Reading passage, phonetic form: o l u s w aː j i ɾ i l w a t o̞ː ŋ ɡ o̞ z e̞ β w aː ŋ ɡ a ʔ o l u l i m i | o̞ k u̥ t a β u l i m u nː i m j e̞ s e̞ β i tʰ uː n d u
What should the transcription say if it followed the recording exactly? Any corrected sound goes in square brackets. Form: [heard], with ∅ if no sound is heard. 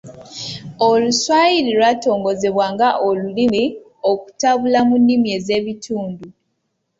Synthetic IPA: o l u s w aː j i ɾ i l w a t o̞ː ŋ ɡ o̞ z e̞ β w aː ŋ ɡ a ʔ o l u l i m i | o̞ k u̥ t a β u l [a] m u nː i m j e̞ [z] e̞ β i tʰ uː n d u